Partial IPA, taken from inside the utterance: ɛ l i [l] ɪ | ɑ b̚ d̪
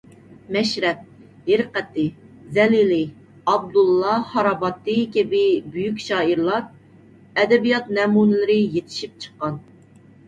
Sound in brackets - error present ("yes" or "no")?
no